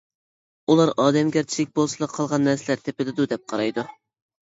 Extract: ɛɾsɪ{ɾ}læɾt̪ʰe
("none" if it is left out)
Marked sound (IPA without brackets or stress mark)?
none